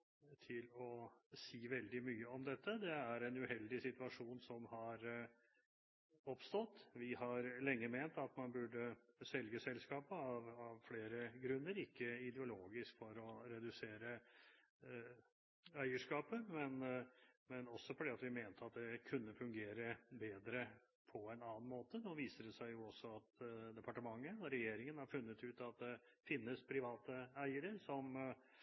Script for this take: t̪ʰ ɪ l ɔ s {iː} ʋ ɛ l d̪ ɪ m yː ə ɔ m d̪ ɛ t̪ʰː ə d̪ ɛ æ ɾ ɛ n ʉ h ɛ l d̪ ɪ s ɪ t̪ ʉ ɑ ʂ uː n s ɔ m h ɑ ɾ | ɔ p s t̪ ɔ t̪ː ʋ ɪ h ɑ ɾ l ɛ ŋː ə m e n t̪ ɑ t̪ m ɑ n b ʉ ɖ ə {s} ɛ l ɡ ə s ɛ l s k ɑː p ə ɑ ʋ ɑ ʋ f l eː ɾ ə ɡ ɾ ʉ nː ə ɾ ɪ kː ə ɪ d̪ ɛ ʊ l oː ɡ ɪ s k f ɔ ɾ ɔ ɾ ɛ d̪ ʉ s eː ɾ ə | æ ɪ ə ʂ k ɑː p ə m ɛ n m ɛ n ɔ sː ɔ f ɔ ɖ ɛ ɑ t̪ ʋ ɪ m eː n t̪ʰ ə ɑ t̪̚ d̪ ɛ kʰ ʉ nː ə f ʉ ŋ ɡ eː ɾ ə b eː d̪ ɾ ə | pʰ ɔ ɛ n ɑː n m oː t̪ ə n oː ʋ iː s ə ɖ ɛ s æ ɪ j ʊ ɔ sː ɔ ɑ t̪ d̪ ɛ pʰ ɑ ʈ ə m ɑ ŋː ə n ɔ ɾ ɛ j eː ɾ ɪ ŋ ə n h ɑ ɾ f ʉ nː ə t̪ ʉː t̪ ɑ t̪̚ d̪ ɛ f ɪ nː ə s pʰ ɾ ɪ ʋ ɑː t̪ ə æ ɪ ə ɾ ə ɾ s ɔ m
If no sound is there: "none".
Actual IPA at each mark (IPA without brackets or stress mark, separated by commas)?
iː, s